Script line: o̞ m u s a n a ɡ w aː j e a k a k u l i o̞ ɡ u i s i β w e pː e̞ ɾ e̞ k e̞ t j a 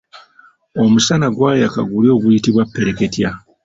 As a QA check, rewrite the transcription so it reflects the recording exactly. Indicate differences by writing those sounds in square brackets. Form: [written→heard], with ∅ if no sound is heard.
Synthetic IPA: o̞ m u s a n a ɡ w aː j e a k a [k→ɡ] u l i o̞ ɡ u i [s→t] i β w [e→a] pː e̞ ɾ e̞ k e̞ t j a